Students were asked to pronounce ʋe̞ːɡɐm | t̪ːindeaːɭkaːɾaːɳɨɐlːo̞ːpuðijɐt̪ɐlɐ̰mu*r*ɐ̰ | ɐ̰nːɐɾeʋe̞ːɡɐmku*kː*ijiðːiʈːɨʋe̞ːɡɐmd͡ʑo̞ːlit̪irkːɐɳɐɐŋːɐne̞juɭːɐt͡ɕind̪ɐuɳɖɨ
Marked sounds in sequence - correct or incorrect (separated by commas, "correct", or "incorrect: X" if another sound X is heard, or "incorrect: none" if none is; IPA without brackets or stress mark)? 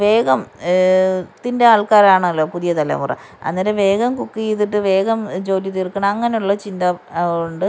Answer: correct, correct